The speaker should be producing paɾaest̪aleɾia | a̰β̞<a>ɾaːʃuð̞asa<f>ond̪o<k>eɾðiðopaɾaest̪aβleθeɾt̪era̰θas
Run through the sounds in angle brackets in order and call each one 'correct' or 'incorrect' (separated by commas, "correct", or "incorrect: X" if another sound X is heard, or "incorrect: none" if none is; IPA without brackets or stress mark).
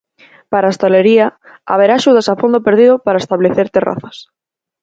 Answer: incorrect: e, correct, incorrect: p